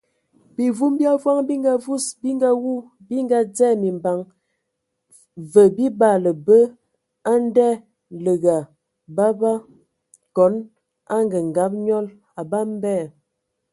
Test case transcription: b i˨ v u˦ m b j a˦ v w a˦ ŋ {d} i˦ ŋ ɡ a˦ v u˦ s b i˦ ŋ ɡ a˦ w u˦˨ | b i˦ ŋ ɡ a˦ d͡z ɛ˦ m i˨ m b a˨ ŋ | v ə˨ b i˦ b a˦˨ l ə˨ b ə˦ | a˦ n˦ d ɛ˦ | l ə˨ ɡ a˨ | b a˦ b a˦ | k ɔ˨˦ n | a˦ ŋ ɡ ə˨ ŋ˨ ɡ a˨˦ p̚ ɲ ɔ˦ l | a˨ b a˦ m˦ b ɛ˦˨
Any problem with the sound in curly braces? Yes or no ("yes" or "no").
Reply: yes